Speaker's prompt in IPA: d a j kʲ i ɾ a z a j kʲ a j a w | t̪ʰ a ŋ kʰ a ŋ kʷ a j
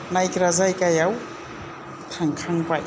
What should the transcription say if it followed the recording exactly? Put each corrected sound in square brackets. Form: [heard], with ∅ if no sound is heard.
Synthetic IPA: [n] a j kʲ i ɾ a z a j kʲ a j a w | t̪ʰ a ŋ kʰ a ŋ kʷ a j